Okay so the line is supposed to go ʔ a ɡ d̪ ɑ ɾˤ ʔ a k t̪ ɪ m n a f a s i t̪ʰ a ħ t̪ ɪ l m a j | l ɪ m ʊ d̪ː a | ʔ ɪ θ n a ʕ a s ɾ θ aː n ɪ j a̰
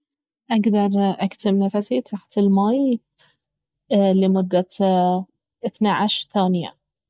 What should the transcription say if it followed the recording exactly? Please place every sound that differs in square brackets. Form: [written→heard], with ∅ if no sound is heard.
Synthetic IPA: ʔ a ɡ d̪ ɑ ɾˤ ʔ a k t̪ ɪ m n a f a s i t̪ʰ a ħ t̪ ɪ l m a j | l ɪ m ʊ d̪ː a | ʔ ɪ θ n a ʕ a [s→ʃ] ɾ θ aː n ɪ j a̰